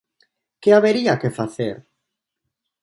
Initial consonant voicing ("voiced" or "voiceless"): voiceless